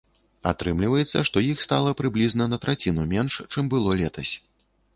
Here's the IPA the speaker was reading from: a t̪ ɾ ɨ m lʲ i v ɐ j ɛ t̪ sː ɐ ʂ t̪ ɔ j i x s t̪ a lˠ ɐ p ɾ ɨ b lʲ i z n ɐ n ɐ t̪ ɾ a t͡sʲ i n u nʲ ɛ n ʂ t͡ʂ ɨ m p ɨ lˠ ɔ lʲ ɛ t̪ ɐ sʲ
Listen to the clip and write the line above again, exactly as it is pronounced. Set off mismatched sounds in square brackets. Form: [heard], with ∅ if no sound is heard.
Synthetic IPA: a t̪ ɾ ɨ m lʲ i v ɐ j ɛ t̪ sː ɐ ʂ t̪ ɔ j i x s t̪ a lˠ ɐ p ɾ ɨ b lʲ i z n ɐ n ɐ t̪ ɾ a t͡sʲ i n u [mʲ] ɛ n ʂ t͡ʂ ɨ m [b] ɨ lˠ ɔ lʲ ɛ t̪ ɐ sʲ